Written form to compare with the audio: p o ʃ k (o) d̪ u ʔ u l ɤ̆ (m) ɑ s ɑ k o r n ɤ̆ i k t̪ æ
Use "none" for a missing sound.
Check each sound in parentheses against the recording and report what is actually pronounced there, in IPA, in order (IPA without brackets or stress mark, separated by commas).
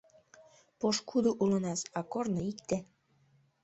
u, n